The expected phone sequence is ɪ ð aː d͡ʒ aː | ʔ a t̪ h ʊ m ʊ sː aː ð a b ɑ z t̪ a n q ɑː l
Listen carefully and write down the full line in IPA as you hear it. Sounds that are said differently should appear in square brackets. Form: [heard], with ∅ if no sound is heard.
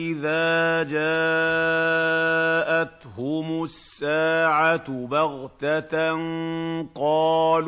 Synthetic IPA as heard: ɪ ð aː d͡ʒ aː | ʔ a t̪ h ʊ m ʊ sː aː [ʕ] a b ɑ [ɣ] t̪ a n q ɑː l